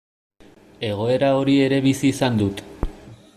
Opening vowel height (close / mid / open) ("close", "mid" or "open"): mid